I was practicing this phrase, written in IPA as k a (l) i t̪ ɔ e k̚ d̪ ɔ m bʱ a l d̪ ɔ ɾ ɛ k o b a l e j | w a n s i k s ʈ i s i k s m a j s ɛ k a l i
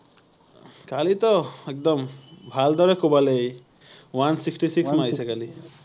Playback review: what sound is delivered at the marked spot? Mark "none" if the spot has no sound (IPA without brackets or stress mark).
l